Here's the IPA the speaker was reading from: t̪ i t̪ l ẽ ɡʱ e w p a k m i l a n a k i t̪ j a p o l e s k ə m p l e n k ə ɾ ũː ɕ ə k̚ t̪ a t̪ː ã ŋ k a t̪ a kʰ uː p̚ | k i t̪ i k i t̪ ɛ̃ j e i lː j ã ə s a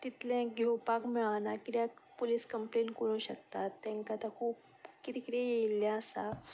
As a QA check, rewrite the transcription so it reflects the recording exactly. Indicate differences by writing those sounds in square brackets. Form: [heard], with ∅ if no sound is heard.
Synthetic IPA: t̪ i t̪ l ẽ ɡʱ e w p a k m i [ɭ] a n a k i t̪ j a p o l [i] s k ə m p l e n k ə ɾ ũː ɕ ə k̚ t̪ a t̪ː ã ŋ k a t̪ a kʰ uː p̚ | k i t̪ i k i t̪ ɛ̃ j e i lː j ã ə s a